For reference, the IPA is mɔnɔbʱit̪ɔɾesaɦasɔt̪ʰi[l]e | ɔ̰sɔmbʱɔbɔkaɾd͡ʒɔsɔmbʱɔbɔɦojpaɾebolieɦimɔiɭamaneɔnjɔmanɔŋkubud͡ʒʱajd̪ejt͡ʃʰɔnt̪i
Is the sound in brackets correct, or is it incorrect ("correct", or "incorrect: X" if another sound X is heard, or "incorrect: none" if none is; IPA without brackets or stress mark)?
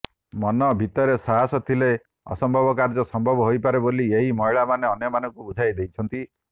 correct